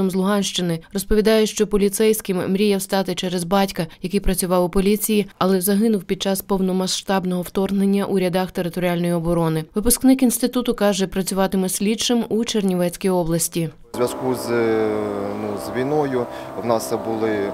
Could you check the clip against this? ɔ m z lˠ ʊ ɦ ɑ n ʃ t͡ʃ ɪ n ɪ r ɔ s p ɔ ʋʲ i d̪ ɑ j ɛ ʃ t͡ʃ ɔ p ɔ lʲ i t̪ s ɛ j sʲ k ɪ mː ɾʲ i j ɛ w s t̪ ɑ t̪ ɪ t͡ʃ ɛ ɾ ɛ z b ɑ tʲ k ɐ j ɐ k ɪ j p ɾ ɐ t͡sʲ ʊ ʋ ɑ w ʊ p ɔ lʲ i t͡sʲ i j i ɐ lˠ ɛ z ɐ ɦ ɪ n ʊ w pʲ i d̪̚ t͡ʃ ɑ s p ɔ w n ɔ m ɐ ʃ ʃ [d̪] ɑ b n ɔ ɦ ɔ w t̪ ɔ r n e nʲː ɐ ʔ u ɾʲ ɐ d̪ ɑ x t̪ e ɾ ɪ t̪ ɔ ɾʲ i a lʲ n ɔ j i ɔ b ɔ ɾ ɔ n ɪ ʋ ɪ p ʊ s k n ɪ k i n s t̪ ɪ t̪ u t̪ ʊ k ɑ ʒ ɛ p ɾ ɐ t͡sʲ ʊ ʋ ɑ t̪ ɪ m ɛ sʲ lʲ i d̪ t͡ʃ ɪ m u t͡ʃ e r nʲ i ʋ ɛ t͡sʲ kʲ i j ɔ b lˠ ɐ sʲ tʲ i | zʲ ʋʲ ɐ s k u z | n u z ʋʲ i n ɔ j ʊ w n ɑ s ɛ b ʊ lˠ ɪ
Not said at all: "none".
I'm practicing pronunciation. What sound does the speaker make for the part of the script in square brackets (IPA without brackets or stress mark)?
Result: t̪